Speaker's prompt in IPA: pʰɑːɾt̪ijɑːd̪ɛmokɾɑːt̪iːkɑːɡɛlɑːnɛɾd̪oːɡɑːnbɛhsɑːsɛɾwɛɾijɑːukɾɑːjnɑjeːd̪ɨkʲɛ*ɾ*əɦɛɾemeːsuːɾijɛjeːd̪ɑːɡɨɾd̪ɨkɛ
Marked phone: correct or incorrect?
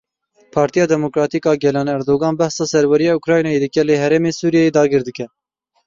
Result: incorrect